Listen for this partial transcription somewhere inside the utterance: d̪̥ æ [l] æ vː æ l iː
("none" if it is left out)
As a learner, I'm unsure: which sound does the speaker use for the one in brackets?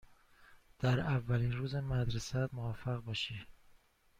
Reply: ɾ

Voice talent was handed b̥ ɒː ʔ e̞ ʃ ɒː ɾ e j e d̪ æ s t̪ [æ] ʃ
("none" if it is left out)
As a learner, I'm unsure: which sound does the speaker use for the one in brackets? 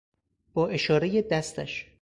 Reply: æ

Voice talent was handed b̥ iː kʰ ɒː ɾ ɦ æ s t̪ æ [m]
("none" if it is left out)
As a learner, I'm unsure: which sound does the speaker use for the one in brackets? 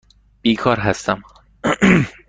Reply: m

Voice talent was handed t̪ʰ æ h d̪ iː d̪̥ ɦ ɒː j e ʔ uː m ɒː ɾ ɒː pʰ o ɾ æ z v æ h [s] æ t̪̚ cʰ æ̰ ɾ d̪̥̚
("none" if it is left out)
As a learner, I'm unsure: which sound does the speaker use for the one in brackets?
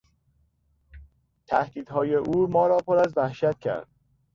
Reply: ʃ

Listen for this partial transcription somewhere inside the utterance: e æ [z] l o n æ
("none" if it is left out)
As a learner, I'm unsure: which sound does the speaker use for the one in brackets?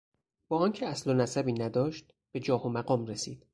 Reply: s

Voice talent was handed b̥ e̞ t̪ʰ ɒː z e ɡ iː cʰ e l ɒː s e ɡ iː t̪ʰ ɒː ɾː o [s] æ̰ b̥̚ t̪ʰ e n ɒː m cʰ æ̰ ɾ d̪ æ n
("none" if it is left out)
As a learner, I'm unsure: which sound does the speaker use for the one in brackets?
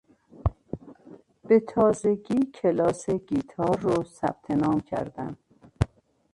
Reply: s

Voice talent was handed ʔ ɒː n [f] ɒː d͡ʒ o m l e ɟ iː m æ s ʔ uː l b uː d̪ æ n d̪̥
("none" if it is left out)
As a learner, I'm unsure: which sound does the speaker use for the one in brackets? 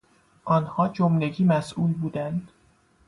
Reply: h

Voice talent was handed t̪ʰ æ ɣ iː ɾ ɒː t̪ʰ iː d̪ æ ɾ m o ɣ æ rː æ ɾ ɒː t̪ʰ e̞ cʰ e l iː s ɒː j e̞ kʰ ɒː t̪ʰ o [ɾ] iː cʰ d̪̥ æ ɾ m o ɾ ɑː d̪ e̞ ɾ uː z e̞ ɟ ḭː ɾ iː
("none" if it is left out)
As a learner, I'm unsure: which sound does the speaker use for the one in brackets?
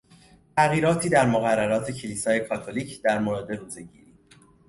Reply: l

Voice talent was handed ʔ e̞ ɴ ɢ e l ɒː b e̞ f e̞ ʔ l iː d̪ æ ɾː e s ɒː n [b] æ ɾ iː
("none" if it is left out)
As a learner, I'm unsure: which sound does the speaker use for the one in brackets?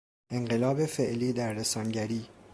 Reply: ɟ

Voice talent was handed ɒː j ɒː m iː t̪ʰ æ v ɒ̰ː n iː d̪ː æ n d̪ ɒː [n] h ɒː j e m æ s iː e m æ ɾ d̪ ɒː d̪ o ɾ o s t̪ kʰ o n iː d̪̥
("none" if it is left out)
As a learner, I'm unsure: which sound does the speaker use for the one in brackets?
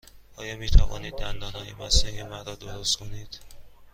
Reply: n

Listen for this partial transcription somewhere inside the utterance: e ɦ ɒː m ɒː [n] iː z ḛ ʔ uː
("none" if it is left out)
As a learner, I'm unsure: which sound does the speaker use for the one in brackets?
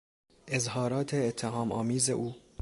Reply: m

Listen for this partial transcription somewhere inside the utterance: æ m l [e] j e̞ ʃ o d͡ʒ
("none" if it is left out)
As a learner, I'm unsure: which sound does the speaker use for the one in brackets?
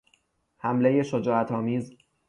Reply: e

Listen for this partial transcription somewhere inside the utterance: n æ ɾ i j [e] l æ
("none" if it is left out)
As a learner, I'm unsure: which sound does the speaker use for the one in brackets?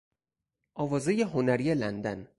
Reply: e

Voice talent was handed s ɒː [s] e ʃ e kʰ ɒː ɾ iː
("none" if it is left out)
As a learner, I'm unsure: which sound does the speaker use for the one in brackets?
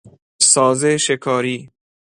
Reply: z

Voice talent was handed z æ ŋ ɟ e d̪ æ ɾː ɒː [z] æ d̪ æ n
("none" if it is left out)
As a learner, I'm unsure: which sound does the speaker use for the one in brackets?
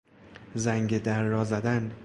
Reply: z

